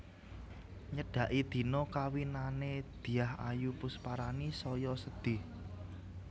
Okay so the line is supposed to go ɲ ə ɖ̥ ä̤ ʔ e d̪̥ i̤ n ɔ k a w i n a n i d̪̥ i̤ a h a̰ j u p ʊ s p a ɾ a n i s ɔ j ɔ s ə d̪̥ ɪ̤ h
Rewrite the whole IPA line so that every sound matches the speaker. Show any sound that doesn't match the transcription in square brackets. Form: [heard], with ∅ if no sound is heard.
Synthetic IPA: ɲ ə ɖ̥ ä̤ ʔ [i] d̪̥ i̤ n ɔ k a w i n a n [e] d̪̥ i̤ a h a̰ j u p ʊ s p a ɾ a n i s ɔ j ɔ s ə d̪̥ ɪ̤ h